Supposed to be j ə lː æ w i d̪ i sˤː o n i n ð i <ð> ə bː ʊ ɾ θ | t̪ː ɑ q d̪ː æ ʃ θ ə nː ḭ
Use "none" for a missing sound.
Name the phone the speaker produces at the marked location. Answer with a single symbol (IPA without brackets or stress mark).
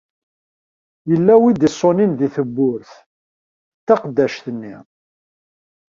θ